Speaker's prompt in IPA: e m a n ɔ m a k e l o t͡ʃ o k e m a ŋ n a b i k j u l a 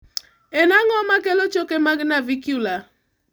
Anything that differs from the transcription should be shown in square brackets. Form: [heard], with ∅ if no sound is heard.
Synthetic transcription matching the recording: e [n] a [ŋ] ɔ m a k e l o t͡ʃ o k e m a [ɡ] n a [v] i k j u l a